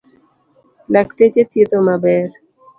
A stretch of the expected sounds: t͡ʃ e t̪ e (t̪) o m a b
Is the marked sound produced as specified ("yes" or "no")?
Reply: yes